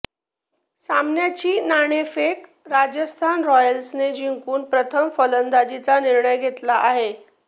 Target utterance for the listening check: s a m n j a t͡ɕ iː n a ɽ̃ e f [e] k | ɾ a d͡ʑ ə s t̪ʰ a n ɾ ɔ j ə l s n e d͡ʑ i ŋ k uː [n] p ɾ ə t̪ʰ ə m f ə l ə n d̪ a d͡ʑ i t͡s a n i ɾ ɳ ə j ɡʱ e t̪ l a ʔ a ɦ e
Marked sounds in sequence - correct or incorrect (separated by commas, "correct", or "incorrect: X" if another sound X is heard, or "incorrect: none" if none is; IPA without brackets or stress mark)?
correct, correct